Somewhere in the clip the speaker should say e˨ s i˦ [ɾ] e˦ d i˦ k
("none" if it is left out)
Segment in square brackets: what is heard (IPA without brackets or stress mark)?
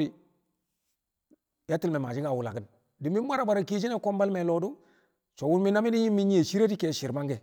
ɾ